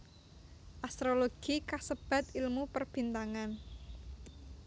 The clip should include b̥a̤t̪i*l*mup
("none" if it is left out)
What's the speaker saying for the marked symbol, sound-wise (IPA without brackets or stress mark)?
l